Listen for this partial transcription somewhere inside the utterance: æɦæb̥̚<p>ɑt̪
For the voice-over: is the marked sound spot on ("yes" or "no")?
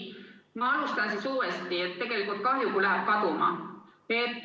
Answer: no